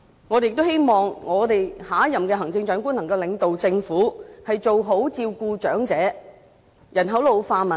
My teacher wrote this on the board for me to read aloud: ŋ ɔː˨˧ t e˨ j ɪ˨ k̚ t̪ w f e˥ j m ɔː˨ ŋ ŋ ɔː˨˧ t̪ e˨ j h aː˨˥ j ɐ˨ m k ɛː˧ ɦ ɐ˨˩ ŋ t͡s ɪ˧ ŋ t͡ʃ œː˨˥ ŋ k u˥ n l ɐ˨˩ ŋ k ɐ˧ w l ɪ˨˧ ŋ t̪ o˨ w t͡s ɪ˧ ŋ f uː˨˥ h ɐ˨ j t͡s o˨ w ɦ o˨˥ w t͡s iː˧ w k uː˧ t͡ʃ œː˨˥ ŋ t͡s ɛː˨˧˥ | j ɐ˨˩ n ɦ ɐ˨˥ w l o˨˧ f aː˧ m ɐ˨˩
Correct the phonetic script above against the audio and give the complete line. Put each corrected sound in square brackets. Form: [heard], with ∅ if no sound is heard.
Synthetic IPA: ŋ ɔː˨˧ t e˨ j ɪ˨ k̚ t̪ w [h] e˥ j m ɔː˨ ŋ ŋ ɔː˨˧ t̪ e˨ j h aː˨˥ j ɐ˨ m k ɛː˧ ɦ ɐ˨˩ ŋ t͡s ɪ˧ ŋ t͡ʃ œː˨˥ ŋ k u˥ n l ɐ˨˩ ŋ k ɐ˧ w l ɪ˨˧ ŋ t̪ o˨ w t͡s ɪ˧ ŋ f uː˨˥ h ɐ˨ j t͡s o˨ w ɦ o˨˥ w t͡s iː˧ w k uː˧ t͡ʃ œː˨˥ ŋ t͡s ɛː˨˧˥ | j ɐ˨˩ n ɦ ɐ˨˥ w l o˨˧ f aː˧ m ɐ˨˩